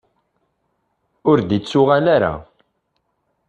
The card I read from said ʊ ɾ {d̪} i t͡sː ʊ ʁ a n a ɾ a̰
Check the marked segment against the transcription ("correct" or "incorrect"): correct